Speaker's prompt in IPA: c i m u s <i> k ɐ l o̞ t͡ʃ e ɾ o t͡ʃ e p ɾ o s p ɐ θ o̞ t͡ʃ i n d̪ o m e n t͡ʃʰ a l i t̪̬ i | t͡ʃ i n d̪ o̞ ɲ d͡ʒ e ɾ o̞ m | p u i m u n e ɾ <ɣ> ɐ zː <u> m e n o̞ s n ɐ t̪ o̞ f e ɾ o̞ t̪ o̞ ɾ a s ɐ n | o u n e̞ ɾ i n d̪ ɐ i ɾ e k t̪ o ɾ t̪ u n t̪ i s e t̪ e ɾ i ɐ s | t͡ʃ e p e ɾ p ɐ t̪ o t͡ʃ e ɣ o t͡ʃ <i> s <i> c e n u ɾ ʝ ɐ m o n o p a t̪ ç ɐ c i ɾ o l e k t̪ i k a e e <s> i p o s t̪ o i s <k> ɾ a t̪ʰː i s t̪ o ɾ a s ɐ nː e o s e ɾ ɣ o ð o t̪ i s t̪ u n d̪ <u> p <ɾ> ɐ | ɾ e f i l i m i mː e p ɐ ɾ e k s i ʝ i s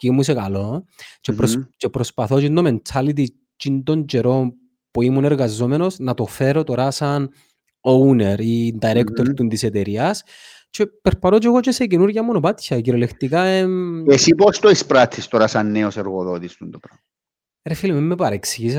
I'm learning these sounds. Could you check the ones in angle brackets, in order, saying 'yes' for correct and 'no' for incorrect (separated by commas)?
no, yes, no, no, no, yes, no, no, yes